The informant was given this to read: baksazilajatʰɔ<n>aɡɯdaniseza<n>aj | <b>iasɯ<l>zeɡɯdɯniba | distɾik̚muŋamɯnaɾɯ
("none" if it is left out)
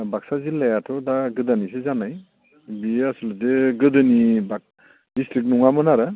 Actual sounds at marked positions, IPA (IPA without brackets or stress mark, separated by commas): d, n, b, l